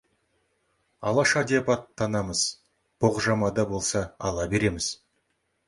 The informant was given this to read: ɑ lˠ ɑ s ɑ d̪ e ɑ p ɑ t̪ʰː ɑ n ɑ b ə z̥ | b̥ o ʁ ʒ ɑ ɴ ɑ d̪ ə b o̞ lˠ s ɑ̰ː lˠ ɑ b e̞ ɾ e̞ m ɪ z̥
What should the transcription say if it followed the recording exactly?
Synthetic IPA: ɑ lˠ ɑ ʃ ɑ d̪ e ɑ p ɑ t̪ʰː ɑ n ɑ m ə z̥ | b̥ o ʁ ʒ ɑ m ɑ d̪ ɑ b o̞ lˠ s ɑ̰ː lˠ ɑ b e̞ ɾ e̞ m ɪ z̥